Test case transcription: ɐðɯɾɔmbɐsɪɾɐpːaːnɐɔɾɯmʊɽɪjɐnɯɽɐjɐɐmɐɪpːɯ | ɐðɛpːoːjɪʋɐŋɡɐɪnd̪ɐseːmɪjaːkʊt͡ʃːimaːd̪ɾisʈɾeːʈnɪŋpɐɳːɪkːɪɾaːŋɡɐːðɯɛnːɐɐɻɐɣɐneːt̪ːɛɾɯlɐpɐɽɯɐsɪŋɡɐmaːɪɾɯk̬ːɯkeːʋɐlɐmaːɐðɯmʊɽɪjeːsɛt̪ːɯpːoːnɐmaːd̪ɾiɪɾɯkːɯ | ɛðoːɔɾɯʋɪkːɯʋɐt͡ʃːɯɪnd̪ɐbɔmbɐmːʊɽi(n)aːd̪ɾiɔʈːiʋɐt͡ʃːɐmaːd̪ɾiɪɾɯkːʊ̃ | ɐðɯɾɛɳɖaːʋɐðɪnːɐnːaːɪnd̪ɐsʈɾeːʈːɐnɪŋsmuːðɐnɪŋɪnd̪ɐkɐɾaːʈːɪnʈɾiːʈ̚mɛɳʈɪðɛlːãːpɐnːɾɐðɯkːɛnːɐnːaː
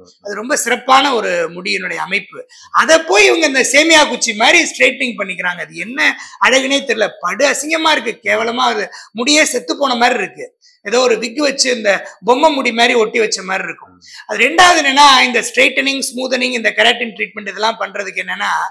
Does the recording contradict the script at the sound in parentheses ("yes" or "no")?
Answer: yes